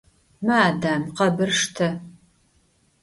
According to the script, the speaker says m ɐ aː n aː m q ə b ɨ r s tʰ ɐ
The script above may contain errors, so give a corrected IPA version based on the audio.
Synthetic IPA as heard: m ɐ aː d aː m q ɐ b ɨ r ʂ tʰ ɐ